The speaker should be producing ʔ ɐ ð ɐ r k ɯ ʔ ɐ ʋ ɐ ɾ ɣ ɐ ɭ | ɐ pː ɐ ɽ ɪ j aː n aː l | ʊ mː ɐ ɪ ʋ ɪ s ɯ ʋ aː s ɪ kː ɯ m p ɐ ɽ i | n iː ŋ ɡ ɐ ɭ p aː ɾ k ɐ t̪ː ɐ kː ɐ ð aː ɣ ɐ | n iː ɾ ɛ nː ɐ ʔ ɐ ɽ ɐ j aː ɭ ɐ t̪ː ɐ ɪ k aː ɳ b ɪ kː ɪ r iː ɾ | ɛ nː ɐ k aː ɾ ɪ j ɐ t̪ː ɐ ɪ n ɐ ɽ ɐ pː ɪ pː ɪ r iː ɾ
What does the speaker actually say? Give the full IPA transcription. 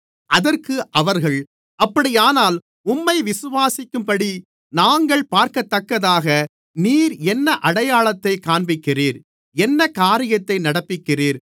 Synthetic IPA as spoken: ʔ ɐ ð ɐ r k ɯ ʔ ɐ ʋ ɐ ɾ ɣ ɐ ɭ | ɐ pː ɐ ɽ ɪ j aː n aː l | ʊ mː ɐ ɪ ʋ ɪ s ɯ ʋ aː s ɪ kː ɯ m p ɐ ɽ i | n aː ŋ ɡ ɐ ɭ p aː ɾ k ɐ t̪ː ɐ kː ɐ ð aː ɣ ɐ | n iː ɾ ɛ nː ɐ ʔ ɐ ɽ ɐ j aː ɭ ɐ t̪ː ɐ ɪ k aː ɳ b ɪ kː ɪ r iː ɾ | ɛ nː ɐ k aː ɾ ɪ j ɐ t̪ː ɐ ɪ n ɐ ɽ ɐ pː ɪ kː ɪ r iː ɾ